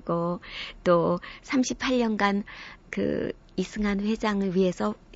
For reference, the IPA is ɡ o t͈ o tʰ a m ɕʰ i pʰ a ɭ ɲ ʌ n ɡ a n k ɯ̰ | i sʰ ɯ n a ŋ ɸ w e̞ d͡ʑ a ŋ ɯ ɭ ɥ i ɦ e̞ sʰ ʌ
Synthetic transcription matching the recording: ɡ o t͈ o sʰ a m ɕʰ i pʰ a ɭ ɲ ʌ n ɡ a n k ɯ̰ | i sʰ ɯ ŋ a n ɸ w e̞ d͡ʑ a ŋ ɯ ɭ ɥ i ɦ e̞ sʰ ʌ